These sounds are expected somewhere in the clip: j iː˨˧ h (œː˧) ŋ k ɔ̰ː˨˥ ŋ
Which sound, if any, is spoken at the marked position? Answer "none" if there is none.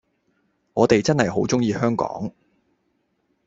œː˥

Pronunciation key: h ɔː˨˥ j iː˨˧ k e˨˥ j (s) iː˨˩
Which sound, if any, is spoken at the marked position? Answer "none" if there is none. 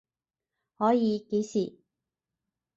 s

